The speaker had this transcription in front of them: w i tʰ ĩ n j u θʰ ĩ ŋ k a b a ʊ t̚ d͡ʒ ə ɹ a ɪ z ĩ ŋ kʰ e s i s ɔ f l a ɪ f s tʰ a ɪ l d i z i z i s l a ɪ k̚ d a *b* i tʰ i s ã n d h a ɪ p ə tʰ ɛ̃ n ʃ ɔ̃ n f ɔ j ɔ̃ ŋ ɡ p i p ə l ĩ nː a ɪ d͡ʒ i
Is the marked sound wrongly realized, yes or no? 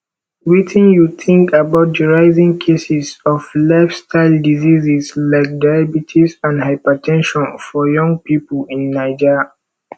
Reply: no